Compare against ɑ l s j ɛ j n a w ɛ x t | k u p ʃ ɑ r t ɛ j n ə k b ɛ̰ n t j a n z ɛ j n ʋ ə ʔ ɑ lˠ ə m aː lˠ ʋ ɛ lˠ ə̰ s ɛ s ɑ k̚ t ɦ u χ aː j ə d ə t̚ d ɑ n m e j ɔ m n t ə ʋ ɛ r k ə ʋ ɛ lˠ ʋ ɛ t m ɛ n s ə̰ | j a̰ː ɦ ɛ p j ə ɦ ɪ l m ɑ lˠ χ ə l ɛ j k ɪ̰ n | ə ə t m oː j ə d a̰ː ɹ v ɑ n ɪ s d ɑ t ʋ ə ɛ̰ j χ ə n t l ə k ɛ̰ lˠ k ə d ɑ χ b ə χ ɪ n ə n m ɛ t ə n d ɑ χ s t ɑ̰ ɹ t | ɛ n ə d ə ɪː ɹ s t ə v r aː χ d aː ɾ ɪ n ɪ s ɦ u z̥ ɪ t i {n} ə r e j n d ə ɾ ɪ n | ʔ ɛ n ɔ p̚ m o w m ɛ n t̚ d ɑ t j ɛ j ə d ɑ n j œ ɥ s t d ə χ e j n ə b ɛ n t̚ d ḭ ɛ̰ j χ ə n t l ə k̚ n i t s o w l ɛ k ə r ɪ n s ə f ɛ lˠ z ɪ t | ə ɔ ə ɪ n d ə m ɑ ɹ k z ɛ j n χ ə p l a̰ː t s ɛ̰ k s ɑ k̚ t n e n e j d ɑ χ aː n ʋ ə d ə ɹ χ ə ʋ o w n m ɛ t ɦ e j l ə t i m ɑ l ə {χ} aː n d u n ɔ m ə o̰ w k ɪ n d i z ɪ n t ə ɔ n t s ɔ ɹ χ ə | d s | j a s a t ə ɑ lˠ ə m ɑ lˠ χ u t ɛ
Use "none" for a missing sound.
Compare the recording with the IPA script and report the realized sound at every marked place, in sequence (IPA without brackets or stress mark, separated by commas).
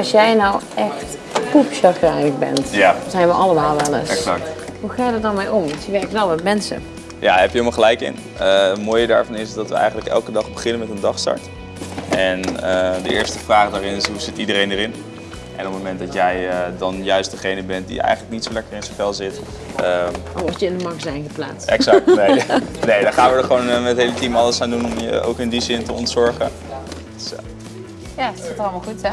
d, s